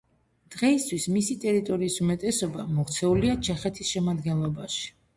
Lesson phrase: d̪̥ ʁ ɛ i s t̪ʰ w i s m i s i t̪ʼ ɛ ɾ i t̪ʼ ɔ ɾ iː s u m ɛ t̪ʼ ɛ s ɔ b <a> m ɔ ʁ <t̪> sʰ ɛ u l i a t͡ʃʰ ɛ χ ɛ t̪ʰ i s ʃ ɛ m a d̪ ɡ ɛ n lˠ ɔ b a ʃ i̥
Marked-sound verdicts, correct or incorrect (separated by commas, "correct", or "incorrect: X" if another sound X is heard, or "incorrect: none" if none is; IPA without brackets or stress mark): correct, correct